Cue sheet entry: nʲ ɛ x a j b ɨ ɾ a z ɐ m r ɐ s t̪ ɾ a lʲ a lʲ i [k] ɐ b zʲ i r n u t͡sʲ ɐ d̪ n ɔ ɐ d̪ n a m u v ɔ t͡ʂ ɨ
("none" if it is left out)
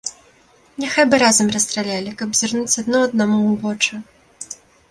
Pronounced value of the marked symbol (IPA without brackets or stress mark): k